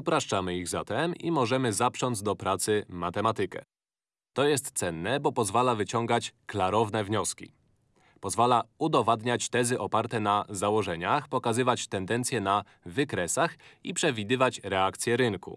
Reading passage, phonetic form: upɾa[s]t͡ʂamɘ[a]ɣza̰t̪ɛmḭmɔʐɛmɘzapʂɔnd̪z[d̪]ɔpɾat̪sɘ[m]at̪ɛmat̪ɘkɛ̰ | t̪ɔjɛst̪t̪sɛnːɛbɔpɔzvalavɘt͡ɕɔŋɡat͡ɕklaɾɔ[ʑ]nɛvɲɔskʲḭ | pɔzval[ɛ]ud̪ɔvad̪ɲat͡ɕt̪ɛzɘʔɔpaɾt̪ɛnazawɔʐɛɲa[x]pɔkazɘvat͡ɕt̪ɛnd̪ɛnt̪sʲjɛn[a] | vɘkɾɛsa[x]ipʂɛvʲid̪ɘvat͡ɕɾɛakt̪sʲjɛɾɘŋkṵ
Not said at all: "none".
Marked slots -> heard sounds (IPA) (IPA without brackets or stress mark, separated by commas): ʂ, i, d̪, m, v, a, x, a, x